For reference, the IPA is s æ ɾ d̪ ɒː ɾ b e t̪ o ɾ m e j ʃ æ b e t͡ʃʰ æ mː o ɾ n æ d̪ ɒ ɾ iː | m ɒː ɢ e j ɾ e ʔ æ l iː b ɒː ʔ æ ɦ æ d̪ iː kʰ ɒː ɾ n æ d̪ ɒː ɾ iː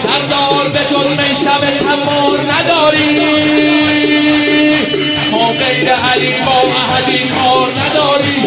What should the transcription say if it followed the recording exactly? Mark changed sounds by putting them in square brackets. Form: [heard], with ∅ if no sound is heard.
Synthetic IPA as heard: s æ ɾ d̪ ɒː ɾ b e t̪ o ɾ m e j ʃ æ b e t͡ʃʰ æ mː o ɾ n æ d̪ [ɒː] ɾ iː | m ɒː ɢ e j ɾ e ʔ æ l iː b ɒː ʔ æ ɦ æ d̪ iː kʰ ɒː ɾ n æ d̪ ɒː ɾ iː